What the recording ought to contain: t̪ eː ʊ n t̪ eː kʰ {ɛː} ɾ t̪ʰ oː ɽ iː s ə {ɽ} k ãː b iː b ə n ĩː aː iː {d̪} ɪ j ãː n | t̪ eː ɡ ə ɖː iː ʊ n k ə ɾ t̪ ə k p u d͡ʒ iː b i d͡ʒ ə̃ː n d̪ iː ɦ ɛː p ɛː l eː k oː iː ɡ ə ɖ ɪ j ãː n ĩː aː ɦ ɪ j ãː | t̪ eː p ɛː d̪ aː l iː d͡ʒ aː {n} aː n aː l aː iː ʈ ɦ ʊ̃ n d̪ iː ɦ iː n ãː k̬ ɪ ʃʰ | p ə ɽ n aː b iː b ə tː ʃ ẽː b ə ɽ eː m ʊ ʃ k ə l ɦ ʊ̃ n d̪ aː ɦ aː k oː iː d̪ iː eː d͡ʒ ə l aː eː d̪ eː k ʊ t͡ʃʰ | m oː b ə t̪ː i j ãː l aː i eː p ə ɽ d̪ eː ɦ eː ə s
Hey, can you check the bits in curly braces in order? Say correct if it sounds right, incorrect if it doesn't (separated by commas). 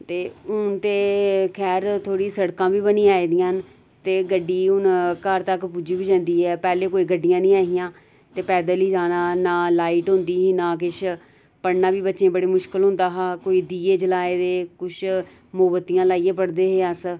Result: correct, correct, correct, correct